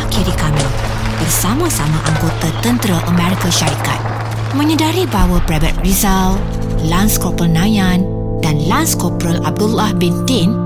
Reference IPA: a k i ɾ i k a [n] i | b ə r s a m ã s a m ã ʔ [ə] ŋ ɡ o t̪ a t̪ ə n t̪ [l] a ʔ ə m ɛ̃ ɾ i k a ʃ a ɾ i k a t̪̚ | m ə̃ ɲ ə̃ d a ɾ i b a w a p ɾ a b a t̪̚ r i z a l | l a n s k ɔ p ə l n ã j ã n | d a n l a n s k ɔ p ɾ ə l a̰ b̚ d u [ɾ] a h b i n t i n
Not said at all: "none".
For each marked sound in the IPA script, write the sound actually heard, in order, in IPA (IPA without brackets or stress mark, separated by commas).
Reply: m, a, ɾ, l